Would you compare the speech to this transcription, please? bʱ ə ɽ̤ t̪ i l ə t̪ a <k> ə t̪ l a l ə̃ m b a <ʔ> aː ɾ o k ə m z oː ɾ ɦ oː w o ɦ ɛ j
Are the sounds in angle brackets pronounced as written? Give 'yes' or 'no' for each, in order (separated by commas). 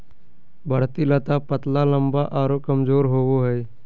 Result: no, yes